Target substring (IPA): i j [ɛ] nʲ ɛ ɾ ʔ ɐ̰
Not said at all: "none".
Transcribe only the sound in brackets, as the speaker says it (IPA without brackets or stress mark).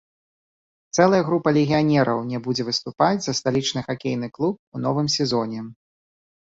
a